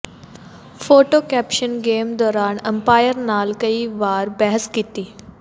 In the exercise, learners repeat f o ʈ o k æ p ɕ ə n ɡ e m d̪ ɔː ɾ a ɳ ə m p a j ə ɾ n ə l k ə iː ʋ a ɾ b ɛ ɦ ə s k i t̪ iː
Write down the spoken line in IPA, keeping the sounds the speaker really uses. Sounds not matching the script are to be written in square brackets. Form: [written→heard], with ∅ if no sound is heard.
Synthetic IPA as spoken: f o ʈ o k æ p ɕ ə n ɡ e m d̪ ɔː ɾ a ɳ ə m p a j ə ɾ n [ə→a] l k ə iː ʋ a ɾ b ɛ ɦ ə s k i t̪ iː